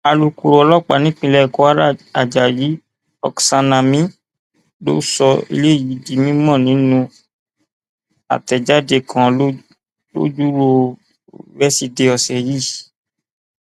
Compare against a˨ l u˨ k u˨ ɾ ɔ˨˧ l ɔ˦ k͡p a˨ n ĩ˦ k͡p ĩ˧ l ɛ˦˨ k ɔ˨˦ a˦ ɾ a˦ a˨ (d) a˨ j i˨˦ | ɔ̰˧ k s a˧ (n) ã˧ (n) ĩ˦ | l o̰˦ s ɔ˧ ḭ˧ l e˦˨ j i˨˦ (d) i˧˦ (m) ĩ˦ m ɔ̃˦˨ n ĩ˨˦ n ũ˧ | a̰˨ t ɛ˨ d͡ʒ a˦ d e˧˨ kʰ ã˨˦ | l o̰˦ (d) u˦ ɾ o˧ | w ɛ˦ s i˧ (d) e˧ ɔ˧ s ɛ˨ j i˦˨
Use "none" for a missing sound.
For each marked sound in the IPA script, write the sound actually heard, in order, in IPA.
d͡ʒ, n, m, d, m, d͡ʒ, d

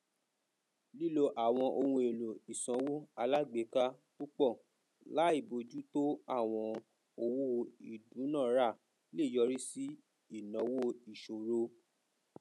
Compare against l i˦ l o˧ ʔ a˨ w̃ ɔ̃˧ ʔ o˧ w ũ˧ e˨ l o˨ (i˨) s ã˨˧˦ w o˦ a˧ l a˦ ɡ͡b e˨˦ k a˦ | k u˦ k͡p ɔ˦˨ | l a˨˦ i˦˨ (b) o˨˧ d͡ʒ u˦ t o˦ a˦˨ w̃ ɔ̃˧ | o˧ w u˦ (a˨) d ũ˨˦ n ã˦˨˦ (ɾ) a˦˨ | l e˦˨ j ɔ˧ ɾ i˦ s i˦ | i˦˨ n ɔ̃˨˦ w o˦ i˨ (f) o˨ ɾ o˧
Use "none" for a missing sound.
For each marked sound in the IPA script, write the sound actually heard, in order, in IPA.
i˨, b, i˨, ɾ, ʃ

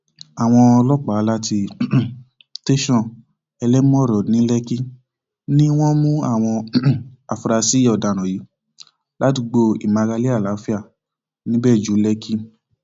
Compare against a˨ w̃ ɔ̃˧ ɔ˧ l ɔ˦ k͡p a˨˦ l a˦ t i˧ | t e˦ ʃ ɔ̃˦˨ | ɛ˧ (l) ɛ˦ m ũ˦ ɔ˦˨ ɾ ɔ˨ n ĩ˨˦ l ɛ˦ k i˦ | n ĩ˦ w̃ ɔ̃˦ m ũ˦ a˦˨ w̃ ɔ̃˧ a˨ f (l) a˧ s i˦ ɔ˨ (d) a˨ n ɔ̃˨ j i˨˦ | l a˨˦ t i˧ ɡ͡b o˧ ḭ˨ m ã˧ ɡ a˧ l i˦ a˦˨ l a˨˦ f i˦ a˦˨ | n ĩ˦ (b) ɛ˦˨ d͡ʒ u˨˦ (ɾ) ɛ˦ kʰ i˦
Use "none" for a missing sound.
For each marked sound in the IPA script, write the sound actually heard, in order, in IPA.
l, ɾ, d, b, l

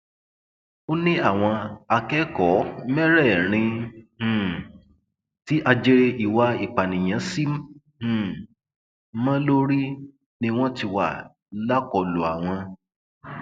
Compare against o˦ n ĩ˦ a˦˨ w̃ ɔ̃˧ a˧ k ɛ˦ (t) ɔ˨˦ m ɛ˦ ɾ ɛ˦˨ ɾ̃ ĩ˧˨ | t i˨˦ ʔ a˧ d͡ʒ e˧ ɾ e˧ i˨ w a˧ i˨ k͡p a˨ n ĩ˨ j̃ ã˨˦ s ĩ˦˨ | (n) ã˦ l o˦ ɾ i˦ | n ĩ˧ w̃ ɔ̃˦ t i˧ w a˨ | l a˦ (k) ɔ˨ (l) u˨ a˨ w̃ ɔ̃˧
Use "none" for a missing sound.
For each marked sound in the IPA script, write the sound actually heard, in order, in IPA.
k, m, k, l

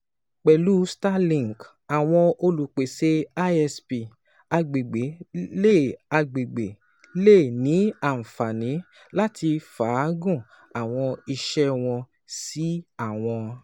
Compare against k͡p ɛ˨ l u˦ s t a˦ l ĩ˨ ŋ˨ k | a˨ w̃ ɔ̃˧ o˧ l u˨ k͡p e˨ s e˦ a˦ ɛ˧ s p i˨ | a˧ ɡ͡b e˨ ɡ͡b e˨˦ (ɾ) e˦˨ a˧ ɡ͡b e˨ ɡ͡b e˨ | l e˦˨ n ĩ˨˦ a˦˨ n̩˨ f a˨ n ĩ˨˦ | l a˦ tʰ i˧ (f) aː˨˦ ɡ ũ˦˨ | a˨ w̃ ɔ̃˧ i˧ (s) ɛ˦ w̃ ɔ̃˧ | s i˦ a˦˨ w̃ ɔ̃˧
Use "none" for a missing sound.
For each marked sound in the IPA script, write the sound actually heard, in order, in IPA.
l, f, ʃ

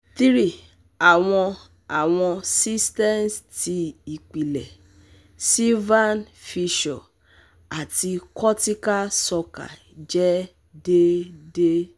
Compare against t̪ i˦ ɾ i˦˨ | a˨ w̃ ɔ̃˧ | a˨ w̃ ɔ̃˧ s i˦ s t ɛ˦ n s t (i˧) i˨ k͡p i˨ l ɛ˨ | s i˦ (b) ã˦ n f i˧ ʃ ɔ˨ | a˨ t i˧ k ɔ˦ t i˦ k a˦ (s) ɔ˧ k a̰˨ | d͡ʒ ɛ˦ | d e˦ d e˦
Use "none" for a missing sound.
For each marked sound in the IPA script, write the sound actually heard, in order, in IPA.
i˧, v, s

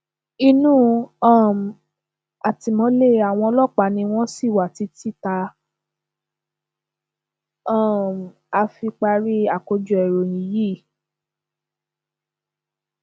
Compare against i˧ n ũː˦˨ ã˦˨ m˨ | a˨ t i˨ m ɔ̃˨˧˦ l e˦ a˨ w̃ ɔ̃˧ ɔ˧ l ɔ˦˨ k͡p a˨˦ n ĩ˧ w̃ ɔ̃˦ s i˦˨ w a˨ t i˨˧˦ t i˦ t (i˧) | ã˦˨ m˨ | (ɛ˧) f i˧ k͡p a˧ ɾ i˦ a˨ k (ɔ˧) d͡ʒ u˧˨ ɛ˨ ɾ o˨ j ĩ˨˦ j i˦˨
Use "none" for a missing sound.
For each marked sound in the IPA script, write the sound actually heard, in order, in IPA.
a˧, a˧, o˧

